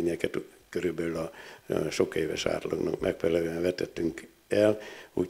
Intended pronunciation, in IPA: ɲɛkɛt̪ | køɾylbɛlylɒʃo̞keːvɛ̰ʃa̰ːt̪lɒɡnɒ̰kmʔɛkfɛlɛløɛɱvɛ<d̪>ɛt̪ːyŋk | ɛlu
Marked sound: incorrect: t̪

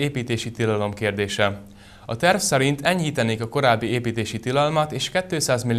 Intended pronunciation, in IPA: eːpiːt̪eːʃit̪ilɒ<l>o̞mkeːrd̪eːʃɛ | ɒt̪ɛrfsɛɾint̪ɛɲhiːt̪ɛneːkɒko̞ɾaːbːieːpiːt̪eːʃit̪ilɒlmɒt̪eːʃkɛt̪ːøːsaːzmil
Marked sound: correct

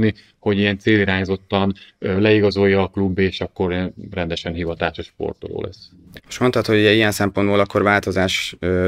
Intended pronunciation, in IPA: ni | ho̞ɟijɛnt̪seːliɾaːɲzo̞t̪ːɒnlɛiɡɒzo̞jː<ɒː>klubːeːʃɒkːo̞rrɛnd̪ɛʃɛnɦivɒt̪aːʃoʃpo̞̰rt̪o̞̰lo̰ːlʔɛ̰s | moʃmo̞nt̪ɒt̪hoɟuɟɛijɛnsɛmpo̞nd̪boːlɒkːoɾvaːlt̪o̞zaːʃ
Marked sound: correct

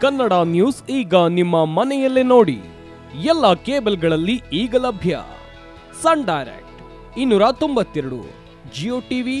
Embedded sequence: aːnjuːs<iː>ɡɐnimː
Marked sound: correct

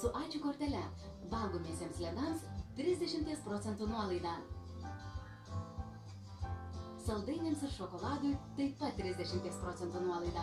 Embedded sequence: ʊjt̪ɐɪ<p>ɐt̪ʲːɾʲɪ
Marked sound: correct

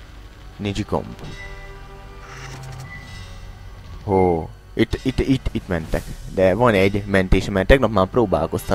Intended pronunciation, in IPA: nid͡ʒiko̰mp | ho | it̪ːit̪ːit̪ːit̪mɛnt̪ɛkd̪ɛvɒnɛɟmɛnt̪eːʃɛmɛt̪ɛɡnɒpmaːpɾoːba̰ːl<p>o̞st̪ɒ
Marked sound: incorrect: k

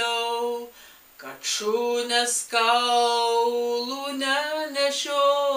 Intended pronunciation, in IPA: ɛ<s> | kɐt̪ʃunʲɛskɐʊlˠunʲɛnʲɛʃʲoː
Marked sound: incorrect: none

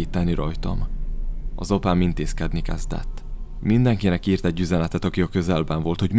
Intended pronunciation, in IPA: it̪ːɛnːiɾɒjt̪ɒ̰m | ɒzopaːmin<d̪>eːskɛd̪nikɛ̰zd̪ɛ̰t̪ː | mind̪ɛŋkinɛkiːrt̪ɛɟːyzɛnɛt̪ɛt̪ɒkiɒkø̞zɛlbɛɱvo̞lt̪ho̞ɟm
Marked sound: incorrect: t̪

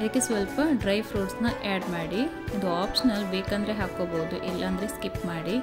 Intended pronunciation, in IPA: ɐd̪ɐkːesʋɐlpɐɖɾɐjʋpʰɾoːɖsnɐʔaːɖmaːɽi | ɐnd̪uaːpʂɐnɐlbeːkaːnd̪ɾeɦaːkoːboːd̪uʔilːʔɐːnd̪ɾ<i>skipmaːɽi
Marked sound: incorrect: e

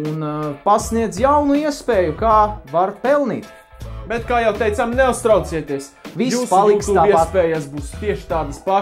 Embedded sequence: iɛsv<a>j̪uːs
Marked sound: incorrect: i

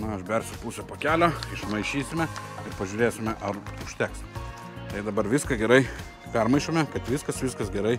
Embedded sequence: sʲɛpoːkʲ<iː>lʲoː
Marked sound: incorrect: æː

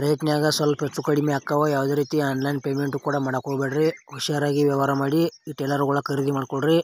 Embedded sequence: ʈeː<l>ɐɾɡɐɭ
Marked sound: correct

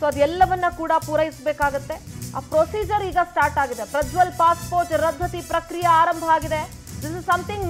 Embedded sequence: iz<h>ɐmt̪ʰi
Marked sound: incorrect: s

